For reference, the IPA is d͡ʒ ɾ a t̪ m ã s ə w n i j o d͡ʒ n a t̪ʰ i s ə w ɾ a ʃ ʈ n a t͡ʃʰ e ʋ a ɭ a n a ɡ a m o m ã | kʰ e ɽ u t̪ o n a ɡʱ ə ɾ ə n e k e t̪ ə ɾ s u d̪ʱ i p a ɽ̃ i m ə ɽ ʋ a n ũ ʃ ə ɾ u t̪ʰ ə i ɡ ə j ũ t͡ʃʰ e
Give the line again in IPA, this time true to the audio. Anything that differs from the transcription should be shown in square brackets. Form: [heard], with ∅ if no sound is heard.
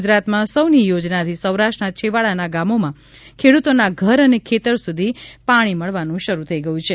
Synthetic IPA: d͡ʒ ɾ a t̪ m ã s ə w n i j o d͡ʒ n a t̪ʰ i s ə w ɾ a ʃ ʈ n a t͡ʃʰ e ʋ a ɭ a n a ɡ a m o m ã | kʰ e ɽ u t̪ o n a ɡʱ ə ɾ ə n e [kʰ] e t̪ ə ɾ s u d̪ʱ i p a ɽ̃ i m ə [ɭ] ʋ a n ũ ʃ ə ɾ u t̪ʰ ə i ɡ ə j ũ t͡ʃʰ e